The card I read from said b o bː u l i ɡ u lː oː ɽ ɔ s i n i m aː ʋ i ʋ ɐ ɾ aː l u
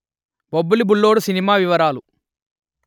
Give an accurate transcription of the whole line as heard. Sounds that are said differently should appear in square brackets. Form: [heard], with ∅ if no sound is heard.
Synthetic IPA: b o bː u l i [b] u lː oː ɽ [u] s i n i m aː ʋ i ʋ ɐ ɾ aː l u